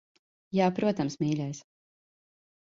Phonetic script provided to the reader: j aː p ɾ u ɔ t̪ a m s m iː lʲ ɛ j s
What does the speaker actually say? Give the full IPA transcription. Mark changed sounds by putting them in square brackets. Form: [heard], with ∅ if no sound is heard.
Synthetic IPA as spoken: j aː p ɾ u ɔ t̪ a m s m iː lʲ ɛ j s